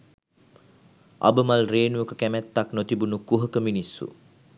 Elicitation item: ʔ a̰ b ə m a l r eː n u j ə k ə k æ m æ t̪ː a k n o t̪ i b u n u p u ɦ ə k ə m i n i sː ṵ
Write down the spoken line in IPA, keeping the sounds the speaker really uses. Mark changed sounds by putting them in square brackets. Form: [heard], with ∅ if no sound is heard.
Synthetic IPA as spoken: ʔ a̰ b ə m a l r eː n u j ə k ə k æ m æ t̪ː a k n o t̪ i b u n u [k] u ɦ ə k ə m i n i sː ṵ